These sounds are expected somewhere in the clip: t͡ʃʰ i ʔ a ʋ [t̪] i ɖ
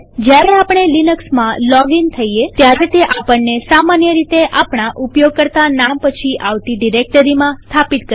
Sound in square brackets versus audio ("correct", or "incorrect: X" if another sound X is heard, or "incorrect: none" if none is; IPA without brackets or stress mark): correct